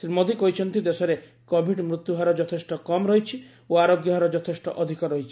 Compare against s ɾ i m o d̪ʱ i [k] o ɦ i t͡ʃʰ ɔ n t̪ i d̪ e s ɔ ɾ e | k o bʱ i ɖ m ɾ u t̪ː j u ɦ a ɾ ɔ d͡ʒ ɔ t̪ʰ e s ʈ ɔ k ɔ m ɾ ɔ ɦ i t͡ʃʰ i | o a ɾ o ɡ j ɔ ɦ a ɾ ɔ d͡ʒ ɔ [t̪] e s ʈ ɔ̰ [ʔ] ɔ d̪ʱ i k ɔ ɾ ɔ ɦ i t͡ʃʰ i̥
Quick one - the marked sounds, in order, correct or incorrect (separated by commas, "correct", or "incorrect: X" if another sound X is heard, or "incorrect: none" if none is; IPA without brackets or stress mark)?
correct, incorrect: t̪ʰ, correct